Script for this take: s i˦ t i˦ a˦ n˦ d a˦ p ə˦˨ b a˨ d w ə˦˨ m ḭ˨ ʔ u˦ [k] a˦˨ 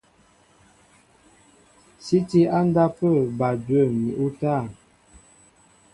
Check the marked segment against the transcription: incorrect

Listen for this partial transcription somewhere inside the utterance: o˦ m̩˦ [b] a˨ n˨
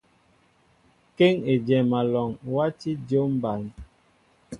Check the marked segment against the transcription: correct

